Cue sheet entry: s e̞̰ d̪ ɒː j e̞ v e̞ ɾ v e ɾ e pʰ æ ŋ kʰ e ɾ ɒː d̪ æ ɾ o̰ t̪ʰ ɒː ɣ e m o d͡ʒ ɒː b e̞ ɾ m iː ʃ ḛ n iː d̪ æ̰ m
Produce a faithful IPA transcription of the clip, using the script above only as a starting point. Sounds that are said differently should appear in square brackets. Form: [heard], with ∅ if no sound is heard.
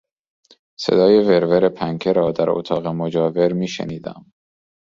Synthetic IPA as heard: s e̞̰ d̪ ɒː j e̞ v e̞ ɾ v e ɾ e pʰ æ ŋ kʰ e ɾ ɒː d̪ æ ɾ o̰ t̪ʰ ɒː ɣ e m o d͡ʒ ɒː [v] e̞ ɾ m iː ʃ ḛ n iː d̪ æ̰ m